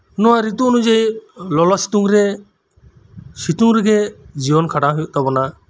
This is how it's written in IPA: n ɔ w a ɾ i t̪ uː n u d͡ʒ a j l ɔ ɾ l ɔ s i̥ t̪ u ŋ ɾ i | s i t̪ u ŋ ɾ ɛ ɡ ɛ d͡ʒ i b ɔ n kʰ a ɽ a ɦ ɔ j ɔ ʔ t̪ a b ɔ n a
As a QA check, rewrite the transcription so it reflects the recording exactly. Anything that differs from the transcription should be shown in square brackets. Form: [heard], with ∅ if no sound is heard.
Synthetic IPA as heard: n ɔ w a ɾ i t̪ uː n u d͡ʒ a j l ɔ [∅] l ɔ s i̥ t̪ u ŋ ɾ [ɛ] | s i t̪ u ŋ ɾ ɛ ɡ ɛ d͡ʒ i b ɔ n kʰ a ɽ a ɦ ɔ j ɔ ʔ t̪ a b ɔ n a